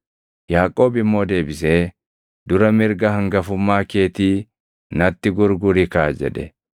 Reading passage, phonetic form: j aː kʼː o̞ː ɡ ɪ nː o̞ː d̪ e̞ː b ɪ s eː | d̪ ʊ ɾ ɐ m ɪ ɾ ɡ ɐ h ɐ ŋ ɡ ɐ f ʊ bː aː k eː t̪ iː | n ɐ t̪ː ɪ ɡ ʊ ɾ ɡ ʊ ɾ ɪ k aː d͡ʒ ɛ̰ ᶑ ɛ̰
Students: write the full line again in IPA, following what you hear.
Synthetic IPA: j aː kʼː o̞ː b ɪ mː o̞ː d̪ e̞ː b ɪ s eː | d̪ ʊ ɾ ɐ m ɪ ɾ ɡ ɐ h ɐ ŋ ɡ ɐ f ʊ mː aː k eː t̪ iː | n ɐ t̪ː ɪ ɡ ʊ ɾ ɡ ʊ ɾ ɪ k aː d͡ʒ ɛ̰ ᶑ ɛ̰

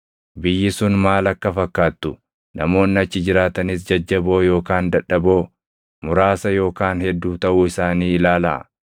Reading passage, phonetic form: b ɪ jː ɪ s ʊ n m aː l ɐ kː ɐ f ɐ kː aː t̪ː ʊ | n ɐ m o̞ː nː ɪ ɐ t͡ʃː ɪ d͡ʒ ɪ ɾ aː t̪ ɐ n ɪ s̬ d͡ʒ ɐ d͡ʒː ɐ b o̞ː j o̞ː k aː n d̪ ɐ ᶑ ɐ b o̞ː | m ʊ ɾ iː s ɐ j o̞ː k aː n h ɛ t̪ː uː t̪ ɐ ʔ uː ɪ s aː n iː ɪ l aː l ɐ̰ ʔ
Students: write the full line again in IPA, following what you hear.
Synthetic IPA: b ɪ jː ɪ s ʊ n m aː l ɐ kː ɐ f ɐ kː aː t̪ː ʊ | n ɐ m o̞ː nː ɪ ɐ t͡ʃː ɪ d͡ʒ ɪ ɾ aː t̪ ɐ n ɪ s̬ d͡ʒ ɐ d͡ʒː ɐ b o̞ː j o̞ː k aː n d̪ ɐ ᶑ ɐ b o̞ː | m ʊ ɾ aː s ɐ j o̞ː k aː n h ɛ d̪ː uː t̪ ɐ ʔ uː ɪ s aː n iː ɪ l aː l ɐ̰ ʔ

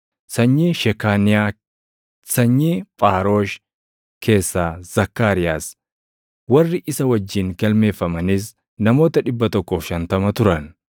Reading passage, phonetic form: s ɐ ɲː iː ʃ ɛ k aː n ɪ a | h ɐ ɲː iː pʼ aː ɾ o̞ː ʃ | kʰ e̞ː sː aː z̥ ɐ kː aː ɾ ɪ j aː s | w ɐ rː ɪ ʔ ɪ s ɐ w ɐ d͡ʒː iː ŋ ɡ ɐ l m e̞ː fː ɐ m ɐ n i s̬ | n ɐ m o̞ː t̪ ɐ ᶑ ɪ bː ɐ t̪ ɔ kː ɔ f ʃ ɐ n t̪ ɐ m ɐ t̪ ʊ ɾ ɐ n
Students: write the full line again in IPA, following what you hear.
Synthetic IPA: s ɐ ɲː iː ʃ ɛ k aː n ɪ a | s ɐ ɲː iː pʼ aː ɾ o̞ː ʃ | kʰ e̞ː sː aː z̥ ɐ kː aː ɾ ɪ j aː s | w ɐ rː ɪ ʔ ɪ s ɐ w ɐ d͡ʒː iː ŋ ɡ ɐ l m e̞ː fː ɐ m ɐ n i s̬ | n ɐ m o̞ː t̪ ɐ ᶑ ɪ bː ɐ t̪ ɔ kː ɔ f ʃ ɐ n t̪ ɐ m ɐ t̪ ʊ ɾ ɐ n

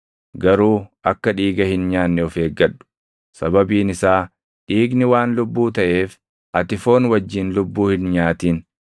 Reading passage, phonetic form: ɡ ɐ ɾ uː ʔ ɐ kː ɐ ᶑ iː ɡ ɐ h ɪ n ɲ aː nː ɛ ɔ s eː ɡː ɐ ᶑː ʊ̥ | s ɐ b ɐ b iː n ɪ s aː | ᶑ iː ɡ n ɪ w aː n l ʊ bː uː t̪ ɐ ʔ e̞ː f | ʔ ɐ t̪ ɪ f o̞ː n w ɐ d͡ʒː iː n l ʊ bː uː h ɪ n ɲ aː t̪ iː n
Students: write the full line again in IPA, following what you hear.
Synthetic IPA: ɡ ɐ ɾ uː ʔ ɐ kː ɐ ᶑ iː ɡ ɐ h ɪ n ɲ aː nː ɛ ɔ f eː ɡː ɐ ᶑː ʊ̥ | s ɐ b ɐ b iː n ɪ s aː | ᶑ iː ɡ n ɪ w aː n l ʊ bː uː t̪ ɐ ʔ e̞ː f | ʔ ɐ t̪ ɪ f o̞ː n w ɐ d͡ʒː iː n l ʊ bː uː h ɪ n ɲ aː t̪ iː n

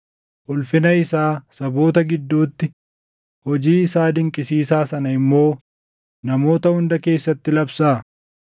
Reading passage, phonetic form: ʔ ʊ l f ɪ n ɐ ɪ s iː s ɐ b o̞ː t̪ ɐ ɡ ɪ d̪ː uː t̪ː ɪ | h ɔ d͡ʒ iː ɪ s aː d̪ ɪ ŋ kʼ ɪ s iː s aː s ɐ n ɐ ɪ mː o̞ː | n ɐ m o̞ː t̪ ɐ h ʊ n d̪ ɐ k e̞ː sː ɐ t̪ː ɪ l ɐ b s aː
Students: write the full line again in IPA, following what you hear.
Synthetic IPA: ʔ ʊ l f ɪ n ɐ ɪ s aː s ɐ b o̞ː t̪ ɐ ɡ ɪ d̪ː uː t̪ː ɪ | h ɔ d͡ʒ iː ɪ s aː d̪ ɪ ŋ kʼ ɪ s iː s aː s ɐ n ɐ ɪ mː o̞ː | n ɐ m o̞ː t̪ ɐ h ʊ n d̪ ɐ k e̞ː sː ɐ t̪ː ɪ l ɐ b s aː

